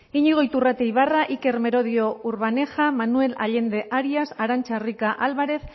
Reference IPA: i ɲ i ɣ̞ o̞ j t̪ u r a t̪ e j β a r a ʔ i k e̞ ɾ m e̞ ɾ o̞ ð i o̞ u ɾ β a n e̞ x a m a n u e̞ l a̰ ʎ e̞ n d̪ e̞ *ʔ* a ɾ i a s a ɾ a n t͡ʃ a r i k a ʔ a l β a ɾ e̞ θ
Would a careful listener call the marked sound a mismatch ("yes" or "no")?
no